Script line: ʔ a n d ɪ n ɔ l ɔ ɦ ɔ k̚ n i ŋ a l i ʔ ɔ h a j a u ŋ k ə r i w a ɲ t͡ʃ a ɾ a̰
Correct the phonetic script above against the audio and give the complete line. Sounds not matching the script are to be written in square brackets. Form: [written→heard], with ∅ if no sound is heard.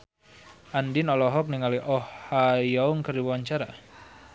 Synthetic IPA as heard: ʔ a n d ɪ n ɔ l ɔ ɦ ɔ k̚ n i ŋ a l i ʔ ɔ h a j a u ŋ k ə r i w a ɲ t͡ʃ a ɾ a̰